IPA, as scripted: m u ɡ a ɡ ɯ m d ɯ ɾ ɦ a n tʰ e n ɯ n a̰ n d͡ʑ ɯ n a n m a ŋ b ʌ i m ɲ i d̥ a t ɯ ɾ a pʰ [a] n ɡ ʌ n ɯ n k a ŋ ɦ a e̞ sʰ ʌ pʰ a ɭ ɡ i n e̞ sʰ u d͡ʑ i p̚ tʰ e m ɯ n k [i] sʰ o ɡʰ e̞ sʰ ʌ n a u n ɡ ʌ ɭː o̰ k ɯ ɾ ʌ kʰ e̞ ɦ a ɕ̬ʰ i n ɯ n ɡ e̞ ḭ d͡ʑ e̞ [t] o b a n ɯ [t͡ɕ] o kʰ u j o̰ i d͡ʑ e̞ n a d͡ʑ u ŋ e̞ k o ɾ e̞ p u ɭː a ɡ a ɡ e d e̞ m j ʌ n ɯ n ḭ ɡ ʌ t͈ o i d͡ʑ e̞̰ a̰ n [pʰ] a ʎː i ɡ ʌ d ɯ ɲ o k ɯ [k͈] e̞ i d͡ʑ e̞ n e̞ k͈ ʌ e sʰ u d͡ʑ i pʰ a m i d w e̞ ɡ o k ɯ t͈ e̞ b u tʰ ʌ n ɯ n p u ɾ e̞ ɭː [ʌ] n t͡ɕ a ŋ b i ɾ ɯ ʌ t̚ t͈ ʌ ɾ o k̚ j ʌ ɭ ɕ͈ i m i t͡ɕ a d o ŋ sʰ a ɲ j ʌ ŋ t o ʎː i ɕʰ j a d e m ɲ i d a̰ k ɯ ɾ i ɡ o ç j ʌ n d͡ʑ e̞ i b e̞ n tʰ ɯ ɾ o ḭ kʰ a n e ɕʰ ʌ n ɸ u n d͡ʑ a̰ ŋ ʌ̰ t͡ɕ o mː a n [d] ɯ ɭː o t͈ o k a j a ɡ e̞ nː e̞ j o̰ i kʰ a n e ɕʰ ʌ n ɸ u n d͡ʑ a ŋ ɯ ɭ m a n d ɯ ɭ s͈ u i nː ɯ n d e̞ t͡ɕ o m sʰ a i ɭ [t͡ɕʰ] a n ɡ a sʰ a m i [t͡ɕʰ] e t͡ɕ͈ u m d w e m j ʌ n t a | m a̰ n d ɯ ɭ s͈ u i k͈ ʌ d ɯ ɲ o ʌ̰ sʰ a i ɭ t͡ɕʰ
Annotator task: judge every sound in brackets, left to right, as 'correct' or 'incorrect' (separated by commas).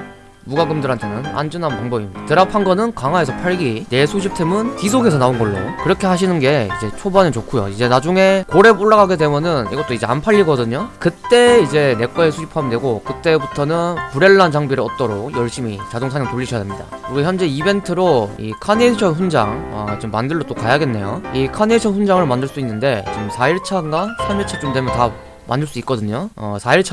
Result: correct, correct, incorrect, correct, correct, incorrect, incorrect, correct, correct, correct